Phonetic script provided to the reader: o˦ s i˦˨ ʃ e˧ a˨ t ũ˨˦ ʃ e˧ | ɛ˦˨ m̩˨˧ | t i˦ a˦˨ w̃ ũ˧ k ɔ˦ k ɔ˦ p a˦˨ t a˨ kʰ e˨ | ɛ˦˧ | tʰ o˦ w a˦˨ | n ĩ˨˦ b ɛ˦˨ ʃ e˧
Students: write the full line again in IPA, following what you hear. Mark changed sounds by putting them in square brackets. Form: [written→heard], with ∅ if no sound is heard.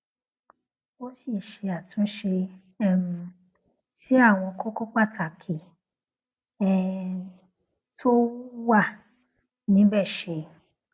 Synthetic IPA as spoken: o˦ s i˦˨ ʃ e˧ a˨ t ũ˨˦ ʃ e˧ | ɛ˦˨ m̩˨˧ | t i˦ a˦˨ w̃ [ũ˧→ɔ̃˧] k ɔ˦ k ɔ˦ [p→k͡p] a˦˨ t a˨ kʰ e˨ | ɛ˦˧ | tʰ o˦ w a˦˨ | n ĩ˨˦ b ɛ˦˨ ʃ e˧